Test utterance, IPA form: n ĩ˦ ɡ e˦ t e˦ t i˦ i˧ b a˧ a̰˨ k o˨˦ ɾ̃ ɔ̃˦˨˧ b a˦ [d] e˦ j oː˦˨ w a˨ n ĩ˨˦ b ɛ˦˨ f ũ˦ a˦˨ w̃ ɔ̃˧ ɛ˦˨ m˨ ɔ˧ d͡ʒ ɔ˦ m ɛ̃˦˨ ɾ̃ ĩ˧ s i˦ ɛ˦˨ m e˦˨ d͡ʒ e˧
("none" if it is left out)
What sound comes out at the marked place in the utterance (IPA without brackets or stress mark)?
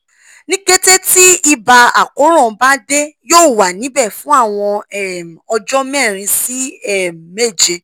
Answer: d